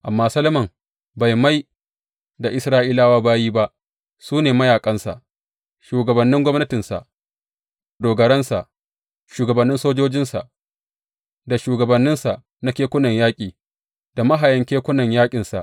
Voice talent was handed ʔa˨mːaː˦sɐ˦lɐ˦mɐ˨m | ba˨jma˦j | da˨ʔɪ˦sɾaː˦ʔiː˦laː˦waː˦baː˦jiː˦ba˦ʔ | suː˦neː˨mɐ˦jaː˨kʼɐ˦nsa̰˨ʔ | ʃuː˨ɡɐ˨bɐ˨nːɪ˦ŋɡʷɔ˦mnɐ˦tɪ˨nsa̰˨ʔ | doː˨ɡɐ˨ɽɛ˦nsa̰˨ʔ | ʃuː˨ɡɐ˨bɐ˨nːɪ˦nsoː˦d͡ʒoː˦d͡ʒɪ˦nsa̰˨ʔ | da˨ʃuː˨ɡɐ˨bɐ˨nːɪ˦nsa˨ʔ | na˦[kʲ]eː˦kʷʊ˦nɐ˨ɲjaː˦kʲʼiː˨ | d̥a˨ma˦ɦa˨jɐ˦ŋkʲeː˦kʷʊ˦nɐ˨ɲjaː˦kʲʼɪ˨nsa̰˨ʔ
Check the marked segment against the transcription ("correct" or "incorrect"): correct